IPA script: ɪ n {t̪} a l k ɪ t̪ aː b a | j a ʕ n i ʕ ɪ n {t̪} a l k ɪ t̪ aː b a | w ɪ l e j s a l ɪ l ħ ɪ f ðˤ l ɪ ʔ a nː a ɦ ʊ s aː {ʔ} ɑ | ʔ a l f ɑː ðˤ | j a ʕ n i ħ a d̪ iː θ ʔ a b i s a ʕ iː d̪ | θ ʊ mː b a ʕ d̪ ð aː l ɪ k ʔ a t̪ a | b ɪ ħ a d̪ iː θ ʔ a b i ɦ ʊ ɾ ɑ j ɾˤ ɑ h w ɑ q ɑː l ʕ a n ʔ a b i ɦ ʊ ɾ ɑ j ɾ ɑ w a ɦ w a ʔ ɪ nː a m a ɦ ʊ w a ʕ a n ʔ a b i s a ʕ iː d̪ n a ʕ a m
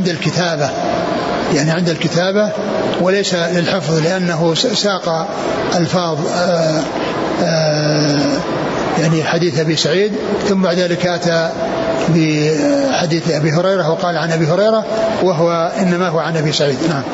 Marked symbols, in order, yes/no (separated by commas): no, no, no